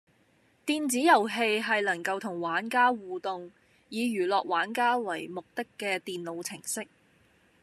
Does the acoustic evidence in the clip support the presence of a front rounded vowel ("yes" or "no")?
yes